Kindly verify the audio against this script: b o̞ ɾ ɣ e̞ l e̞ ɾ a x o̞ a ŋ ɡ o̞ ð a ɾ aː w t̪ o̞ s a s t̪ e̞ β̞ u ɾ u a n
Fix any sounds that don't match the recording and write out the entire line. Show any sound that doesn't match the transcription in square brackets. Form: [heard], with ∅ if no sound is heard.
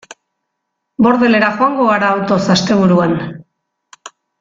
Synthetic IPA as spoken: b o̞ ɾ [ð] e̞ l e̞ ɾ a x o̞ a ŋ ɡ o̞ [ɣ] a ɾ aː w t̪ o̞ s a s t̪ e̞ β̞ u ɾ u a n